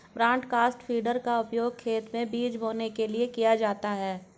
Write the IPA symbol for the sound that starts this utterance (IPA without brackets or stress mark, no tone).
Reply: b